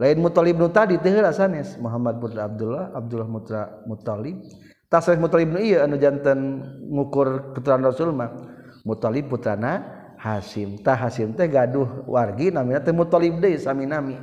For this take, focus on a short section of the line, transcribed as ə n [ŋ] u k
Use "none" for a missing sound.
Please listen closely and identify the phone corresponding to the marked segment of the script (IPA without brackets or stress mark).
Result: ŋ